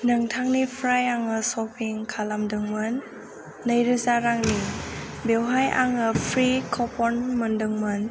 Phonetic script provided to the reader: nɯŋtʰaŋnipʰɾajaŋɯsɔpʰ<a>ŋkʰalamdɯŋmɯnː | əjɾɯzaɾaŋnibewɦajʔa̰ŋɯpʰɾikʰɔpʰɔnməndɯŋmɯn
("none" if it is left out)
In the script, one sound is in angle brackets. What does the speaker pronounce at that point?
i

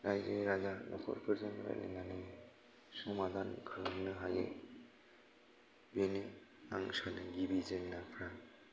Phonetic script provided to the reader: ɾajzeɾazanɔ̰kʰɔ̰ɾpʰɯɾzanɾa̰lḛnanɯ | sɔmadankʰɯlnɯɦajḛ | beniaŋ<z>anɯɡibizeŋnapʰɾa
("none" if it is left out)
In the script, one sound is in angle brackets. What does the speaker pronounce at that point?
s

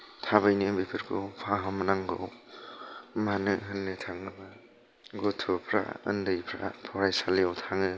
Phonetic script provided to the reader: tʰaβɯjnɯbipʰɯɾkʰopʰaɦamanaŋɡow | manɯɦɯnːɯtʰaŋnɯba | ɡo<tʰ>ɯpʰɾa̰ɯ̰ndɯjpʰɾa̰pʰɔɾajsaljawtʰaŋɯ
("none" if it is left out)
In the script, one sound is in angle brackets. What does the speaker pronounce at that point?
tʰ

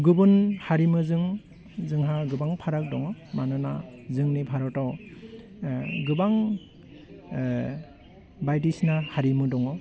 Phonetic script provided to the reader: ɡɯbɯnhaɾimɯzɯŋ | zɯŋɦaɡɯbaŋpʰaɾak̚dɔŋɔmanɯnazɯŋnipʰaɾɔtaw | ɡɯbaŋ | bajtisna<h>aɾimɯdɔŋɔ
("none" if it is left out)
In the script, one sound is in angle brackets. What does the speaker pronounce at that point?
h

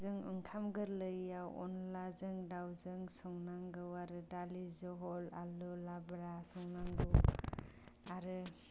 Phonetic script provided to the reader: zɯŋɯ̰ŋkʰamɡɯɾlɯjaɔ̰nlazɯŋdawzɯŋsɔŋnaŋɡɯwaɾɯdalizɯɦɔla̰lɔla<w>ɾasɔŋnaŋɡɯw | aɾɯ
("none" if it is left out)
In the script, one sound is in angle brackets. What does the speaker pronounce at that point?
b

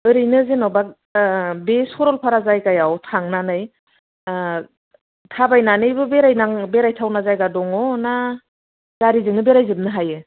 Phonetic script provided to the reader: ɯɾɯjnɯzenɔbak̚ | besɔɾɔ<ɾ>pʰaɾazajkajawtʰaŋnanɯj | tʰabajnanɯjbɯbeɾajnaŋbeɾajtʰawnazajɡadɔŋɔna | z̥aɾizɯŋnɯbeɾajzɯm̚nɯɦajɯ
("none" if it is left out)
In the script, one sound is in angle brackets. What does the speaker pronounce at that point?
l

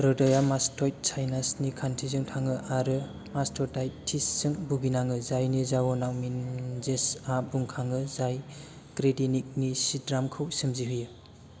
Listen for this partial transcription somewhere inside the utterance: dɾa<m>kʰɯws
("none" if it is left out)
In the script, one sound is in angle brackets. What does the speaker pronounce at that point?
m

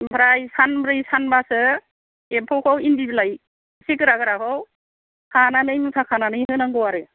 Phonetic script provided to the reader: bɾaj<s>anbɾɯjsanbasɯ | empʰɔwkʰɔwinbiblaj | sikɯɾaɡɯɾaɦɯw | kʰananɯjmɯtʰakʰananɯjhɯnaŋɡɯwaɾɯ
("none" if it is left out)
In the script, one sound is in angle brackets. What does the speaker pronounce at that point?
s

